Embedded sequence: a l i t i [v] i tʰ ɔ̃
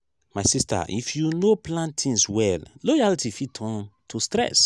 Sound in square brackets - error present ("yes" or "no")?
yes